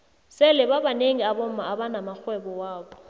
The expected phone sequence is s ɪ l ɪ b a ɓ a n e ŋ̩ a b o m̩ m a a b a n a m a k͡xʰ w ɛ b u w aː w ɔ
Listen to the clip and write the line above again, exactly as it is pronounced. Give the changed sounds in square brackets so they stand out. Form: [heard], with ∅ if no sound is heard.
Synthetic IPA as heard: s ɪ l ɪ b a [b] a n e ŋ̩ a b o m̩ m a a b a n a m a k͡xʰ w ɛ b [ɔ] w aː [b] ɔ